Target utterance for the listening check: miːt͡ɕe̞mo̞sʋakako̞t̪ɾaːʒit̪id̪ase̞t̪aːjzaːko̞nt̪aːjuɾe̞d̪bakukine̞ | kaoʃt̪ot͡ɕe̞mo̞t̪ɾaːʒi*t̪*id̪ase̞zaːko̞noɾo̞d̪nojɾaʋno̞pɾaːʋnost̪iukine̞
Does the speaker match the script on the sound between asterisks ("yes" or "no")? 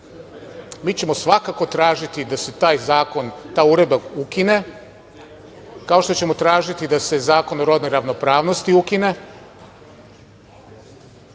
yes